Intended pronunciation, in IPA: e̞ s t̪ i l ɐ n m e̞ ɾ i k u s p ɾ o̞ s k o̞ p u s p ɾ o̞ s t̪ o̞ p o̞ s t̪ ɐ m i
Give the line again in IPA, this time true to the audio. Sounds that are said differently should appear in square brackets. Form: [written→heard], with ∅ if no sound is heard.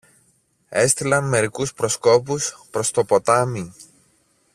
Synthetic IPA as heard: e̞ s t̪ i l ɐ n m e̞ ɾ i k u s p ɾ o̞ s k o̞ p u s p ɾ o̞ s t̪ o̞ p o̞ [s→∅] t̪ ɐ m i

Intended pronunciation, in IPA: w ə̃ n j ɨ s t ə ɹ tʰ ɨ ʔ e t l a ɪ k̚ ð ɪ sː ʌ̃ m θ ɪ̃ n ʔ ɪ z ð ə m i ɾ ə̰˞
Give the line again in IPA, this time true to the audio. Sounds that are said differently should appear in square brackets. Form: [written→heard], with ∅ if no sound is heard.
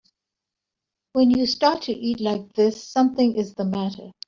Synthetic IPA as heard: w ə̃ n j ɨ s t [ə→ɑ] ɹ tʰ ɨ ʔ [e→i] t l a ɪ k̚ ð ɪ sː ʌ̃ m θ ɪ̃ [n→ŋ] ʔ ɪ z ð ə m [i→æ] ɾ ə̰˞

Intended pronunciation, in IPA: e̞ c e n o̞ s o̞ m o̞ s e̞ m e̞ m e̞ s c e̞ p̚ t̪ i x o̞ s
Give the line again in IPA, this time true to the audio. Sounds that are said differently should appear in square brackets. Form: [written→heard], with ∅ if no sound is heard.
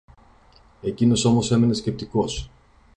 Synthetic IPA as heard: e̞ c [e→i] n o̞ s o̞ m o̞ s e̞ m e̞ [m→n] e̞ s c e̞ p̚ t̪ i [x→k] o̞ s

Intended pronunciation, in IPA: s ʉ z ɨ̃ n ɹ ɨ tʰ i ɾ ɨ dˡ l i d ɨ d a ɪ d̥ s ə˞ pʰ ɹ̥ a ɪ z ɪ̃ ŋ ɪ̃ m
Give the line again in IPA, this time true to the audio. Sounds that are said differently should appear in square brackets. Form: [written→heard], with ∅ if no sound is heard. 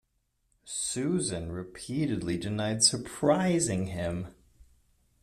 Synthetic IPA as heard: s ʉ z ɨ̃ n ɹ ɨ [tʰ→pʰ] i ɾ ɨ dˡ l i d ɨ [d→n] a ɪ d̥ s ə˞ pʰ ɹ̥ a ɪ z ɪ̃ ŋ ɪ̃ m

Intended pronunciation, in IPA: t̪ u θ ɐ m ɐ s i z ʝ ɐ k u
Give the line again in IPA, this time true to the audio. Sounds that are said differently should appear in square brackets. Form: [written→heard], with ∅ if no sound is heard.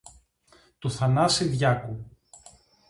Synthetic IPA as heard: t̪ u θ ɐ [m→n] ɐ s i [z→ð] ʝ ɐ k u

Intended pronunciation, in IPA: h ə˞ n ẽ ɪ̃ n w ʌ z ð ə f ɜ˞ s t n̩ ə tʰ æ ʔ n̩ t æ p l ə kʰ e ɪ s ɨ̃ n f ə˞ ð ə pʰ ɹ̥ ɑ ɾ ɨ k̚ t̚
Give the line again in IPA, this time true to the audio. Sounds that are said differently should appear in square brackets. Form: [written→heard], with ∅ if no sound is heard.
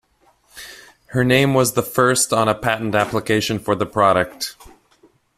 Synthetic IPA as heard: h ə˞ n ẽ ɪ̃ [n→m] w ʌ z ð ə f ɜ˞ s t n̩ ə [tʰ→pʰ] æ ʔ n̩ t æ p l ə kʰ e ɪ [s→ʃ] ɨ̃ n f ə˞ ð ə pʰ ɹ̥ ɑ ɾ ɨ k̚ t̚

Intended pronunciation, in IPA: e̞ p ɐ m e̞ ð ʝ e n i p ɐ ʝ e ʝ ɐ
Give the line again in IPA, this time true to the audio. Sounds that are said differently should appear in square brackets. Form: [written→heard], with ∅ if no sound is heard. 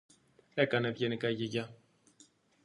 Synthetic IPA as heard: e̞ [p→k] ɐ [m→n] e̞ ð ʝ e n i [p→k] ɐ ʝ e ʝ ɐ

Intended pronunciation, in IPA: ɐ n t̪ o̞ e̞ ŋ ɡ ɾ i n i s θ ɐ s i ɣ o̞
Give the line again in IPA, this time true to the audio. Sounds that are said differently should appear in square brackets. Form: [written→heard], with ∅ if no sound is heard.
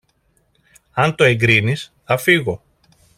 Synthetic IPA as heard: ɐ n t̪ o̞ e̞ ŋ ɡ ɾ i n i s θ ɐ [s→f] i ɣ o̞

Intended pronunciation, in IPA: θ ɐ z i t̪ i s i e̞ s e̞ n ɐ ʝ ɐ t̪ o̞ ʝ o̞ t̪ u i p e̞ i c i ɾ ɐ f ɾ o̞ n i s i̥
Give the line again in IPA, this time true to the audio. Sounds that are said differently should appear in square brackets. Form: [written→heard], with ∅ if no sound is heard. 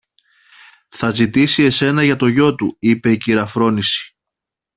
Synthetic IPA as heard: θ ɐ z i t̪ i s i e̞ s e̞ n ɐ ʝ ɐ t̪ o̞ ʝ o̞ t̪ u i p e̞ i c i ɾ ɐ f ɾ o̞ n i s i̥

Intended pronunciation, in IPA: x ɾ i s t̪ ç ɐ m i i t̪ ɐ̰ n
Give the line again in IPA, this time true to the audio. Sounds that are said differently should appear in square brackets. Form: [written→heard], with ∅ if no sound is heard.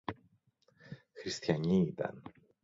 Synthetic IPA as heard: x ɾ i s t̪ ç ɐ [m→ɲ] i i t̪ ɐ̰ n

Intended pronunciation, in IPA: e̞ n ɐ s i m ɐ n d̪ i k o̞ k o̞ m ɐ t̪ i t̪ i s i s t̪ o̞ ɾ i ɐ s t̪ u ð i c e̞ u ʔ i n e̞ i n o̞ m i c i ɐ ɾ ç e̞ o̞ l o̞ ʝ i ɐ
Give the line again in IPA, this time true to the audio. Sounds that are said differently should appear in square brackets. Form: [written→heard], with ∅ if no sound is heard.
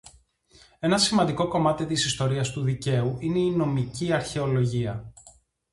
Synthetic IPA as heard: e̞ n ɐ s i m ɐ n d̪ i k o̞ k o̞ m ɐ t̪ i t̪ i s i s t̪ o̞ ɾ i ɐ s t̪ u ð i c e̞ u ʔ i n e̞ i n o̞ m i c i ɐ ɾ ç e̞ o̞ l o̞ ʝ i ɐ

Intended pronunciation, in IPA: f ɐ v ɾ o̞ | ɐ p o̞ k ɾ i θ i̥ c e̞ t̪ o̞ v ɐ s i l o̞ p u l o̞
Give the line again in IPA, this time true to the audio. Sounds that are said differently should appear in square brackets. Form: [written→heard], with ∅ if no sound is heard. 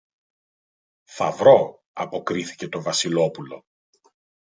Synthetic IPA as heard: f ɐ v ɾ o̞ | ɐ p o̞ k ɾ i θ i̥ c e̞ t̪ o̞ v ɐ s i l o̞ p u l o̞

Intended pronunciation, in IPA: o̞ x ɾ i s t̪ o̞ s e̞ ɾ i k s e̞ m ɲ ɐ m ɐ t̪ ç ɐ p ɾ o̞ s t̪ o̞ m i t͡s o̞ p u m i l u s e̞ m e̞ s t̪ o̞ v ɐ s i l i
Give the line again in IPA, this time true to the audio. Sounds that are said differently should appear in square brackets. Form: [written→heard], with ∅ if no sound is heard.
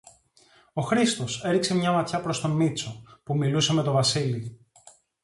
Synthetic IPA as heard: o̞ x ɾ i s t̪ o̞ s e̞ ɾ i k s e̞ m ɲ ɐ m ɐ t̪ ç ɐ p ɾ o̞ s t̪ o̞ m i t͡s o̞ p u m i l u s e̞ m e̞ [s→∅] t̪ o̞ v ɐ s i l i

